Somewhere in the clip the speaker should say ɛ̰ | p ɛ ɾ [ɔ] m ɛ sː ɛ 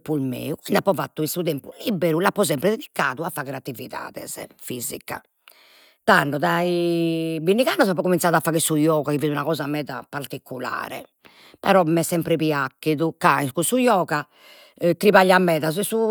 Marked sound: correct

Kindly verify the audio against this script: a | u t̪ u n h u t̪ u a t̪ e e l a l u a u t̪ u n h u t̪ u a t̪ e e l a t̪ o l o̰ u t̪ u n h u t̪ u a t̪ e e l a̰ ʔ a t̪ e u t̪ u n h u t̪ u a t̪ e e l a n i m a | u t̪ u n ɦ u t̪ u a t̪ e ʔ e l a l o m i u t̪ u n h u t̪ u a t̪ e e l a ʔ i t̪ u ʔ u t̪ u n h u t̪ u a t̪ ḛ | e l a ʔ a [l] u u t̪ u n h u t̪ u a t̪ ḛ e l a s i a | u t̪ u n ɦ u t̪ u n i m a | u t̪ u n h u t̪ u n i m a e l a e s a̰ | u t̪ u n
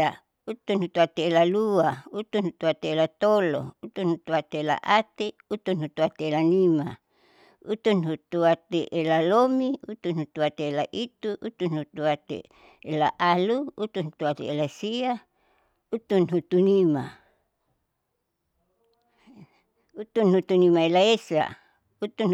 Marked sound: correct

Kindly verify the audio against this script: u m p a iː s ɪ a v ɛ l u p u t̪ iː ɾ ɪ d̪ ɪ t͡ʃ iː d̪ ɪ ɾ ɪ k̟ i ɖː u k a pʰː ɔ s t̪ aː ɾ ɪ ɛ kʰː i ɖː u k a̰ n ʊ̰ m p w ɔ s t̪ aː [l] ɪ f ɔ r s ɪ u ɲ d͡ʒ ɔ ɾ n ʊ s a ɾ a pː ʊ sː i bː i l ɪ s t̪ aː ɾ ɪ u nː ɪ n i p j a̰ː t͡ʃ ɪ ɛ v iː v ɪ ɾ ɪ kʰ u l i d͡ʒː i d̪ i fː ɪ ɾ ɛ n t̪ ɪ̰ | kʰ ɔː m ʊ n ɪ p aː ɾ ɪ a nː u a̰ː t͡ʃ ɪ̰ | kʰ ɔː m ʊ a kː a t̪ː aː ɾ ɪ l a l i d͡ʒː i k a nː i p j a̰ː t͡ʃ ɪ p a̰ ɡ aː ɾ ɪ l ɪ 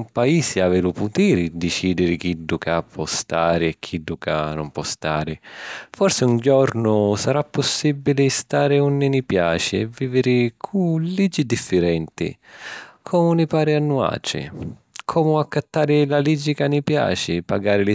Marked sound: incorrect: ɾ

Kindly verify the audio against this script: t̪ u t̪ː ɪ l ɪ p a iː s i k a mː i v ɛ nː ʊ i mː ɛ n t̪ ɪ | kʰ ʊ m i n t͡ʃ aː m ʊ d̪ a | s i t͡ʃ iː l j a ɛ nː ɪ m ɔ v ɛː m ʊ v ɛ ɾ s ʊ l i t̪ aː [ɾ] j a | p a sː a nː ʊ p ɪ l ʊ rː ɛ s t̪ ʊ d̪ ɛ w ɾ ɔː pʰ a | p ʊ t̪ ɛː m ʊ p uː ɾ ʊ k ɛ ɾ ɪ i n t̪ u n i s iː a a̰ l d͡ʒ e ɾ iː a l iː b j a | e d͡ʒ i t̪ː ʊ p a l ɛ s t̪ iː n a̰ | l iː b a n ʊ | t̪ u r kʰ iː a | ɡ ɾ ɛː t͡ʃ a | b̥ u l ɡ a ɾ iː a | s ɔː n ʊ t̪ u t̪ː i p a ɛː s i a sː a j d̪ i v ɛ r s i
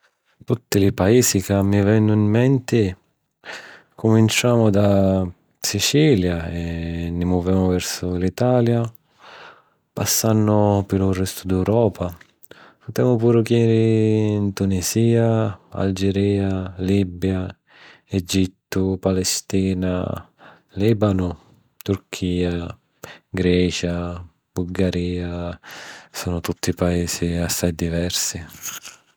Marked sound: incorrect: l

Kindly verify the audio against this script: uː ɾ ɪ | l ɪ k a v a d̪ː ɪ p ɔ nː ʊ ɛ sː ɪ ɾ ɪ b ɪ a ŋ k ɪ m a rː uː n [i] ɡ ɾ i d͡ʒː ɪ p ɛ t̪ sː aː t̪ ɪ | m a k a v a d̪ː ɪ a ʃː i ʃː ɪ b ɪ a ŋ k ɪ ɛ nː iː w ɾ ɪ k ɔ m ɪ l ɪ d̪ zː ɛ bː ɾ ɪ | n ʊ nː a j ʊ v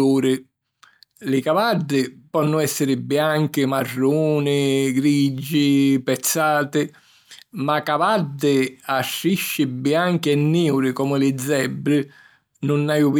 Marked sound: incorrect: ɪ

